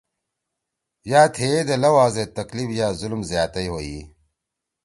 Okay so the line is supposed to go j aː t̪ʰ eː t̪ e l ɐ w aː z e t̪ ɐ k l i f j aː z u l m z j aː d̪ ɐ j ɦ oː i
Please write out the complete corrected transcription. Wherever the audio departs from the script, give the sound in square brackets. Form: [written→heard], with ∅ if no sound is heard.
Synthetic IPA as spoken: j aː t̪ʰ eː [t̪→d̪] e l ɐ w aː z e t̪ ɐ k l i f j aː z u l m z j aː [d̪→t̪] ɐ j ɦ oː i